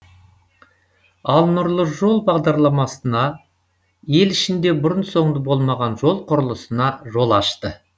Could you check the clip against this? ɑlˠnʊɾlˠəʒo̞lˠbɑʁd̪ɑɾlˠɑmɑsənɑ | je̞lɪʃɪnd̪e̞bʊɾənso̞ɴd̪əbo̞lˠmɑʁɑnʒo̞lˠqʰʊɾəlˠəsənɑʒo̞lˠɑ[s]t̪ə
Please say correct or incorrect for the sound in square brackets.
incorrect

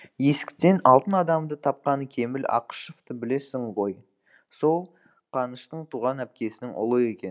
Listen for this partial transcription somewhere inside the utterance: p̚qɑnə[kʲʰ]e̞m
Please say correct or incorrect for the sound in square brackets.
correct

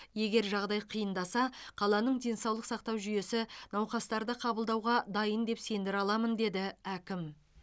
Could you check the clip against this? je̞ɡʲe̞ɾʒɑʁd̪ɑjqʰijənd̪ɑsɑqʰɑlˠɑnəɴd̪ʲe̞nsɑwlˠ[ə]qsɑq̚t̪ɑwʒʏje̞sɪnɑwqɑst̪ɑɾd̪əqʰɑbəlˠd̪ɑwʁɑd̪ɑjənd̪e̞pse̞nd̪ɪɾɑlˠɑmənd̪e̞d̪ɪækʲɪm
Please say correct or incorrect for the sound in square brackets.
correct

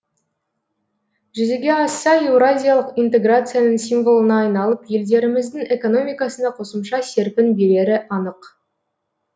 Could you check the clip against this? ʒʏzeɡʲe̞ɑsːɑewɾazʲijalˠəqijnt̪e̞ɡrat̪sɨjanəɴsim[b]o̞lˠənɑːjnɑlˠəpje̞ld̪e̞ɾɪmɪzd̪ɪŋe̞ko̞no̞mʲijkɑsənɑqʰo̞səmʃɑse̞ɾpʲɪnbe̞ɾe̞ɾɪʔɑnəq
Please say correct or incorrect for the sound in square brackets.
incorrect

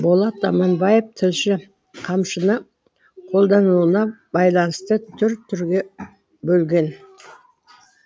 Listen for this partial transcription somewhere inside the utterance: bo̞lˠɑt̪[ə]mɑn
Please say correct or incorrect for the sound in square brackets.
incorrect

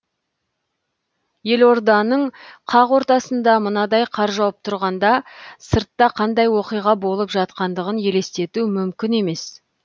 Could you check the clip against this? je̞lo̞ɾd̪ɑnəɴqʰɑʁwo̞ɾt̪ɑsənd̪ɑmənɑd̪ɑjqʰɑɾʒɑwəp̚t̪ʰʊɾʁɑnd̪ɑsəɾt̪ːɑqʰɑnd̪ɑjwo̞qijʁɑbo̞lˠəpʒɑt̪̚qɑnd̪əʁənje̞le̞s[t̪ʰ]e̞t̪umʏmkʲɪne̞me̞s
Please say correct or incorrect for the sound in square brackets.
incorrect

